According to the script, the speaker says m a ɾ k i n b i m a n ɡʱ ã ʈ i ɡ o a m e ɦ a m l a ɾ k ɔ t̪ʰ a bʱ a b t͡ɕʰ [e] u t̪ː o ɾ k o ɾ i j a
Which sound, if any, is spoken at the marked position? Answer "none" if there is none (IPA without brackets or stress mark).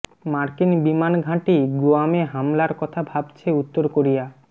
e